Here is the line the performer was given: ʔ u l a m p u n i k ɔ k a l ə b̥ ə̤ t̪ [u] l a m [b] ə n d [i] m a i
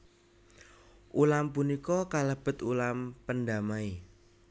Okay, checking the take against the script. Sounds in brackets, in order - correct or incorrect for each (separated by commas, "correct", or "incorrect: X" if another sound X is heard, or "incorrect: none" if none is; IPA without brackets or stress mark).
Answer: correct, incorrect: p, incorrect: a